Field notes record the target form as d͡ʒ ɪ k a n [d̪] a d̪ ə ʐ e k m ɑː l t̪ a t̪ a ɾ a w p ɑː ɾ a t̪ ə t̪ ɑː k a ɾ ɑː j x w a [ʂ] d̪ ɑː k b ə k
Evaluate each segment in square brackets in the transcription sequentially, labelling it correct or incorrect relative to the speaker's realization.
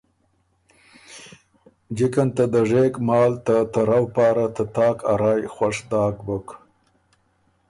incorrect: t̪, correct

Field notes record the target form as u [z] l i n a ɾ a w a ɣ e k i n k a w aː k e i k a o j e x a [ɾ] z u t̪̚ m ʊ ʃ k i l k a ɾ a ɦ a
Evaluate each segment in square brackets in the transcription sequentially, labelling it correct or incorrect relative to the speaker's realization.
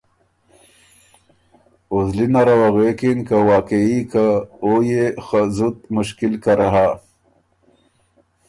correct, incorrect: none

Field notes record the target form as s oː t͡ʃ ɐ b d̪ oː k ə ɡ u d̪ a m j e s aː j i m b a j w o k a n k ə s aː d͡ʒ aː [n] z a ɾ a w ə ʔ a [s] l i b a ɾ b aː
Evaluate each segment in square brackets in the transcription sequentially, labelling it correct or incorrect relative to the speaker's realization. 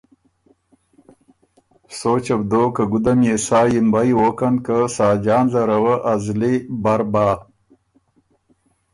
correct, incorrect: z

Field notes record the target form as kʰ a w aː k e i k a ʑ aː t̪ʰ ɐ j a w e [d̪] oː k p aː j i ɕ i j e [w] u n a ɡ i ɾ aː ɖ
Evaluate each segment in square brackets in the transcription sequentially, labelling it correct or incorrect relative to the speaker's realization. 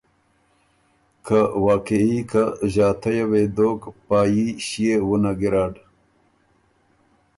correct, correct

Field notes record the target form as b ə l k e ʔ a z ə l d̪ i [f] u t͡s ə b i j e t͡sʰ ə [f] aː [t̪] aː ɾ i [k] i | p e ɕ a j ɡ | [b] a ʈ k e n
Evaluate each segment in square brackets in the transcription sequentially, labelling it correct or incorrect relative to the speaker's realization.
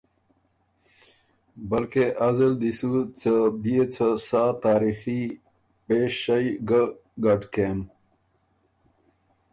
incorrect: s, incorrect: s, correct, incorrect: x, incorrect: ɡ

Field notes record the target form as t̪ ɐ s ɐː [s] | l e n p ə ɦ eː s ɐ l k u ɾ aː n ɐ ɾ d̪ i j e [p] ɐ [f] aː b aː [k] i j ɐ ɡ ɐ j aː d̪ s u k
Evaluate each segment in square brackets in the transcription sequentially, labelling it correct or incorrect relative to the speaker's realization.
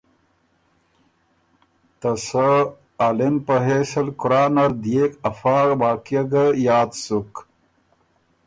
incorrect: none, incorrect: k, correct, correct

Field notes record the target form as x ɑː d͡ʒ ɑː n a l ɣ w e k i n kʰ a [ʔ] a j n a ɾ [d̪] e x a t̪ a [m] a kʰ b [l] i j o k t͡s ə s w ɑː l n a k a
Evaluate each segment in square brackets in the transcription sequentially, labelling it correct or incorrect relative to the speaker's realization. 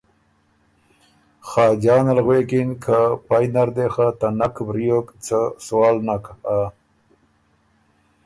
incorrect: p, correct, incorrect: n, incorrect: ɾ

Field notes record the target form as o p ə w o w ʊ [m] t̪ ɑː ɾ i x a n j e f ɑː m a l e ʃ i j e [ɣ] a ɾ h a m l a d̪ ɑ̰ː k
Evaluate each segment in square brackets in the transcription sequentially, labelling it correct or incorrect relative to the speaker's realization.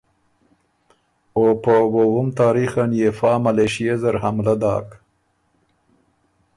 correct, incorrect: z

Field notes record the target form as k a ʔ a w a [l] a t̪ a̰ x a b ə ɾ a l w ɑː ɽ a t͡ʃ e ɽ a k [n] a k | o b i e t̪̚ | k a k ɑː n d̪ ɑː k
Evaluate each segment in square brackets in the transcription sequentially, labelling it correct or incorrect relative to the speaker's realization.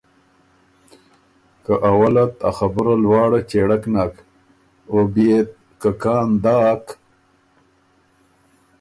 correct, correct

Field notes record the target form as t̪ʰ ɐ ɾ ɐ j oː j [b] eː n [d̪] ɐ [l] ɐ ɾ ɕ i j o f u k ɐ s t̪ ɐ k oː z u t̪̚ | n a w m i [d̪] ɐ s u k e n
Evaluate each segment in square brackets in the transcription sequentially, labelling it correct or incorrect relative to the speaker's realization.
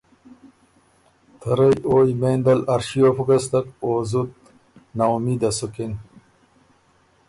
incorrect: m, correct, correct, correct

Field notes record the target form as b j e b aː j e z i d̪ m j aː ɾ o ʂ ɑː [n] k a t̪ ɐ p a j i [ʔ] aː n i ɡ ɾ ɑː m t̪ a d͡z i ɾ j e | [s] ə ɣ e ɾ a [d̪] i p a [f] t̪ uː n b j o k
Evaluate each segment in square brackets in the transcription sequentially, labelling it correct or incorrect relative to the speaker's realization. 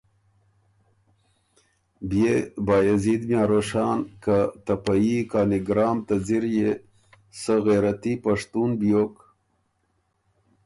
correct, incorrect: k, correct, incorrect: t̪, incorrect: ʂ

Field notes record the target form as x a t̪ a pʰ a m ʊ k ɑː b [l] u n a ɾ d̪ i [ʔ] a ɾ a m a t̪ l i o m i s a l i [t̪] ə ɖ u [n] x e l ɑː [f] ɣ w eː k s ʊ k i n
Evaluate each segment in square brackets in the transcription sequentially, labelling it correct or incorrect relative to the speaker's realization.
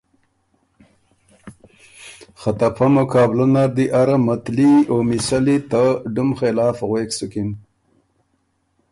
correct, correct, correct, incorrect: m, correct

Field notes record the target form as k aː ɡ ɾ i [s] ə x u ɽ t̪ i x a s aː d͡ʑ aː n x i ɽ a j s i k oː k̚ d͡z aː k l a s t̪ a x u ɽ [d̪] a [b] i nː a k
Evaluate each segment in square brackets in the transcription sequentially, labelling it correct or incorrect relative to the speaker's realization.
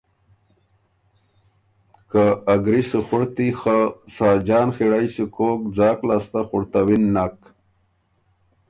correct, incorrect: t̪, incorrect: w

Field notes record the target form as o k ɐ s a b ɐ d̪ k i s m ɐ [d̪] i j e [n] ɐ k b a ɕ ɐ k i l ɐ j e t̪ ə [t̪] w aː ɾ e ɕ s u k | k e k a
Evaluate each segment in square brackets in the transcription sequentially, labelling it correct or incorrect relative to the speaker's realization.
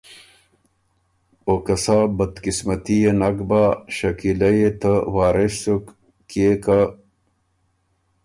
incorrect: t̪, correct, incorrect: none

